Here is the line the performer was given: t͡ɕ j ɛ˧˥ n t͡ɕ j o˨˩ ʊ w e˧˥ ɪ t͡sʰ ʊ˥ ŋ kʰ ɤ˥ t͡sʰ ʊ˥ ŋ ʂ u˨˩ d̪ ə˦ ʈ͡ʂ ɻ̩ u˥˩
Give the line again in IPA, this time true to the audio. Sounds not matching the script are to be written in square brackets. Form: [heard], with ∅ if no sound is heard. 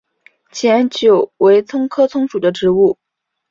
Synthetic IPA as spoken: [t͡ɕʰ] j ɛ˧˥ n t͡ɕ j o˨˩ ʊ w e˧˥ ɪ t͡sʰ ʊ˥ ŋ kʰ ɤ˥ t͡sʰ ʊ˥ ŋ ʂ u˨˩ d̪ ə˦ ʈ͡ʂ ɻ̩ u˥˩